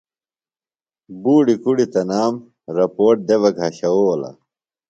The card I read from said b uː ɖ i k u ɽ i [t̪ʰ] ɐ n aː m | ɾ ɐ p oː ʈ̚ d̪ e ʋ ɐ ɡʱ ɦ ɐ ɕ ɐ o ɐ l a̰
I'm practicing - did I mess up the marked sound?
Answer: yes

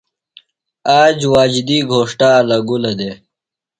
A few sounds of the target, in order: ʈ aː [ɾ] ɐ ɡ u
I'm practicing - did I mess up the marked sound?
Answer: yes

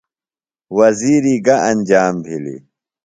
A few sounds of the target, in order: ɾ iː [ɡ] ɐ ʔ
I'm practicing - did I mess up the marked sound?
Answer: no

